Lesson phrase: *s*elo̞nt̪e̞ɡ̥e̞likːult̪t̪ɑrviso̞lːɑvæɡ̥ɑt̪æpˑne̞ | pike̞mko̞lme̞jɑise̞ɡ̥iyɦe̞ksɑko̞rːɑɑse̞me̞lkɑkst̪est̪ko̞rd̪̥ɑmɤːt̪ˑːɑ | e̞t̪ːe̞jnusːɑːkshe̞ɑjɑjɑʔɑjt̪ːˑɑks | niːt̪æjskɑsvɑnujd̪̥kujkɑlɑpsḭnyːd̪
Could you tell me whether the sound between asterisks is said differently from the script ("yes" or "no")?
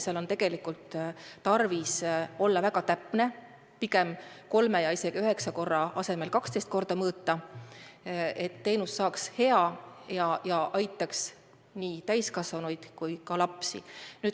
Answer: no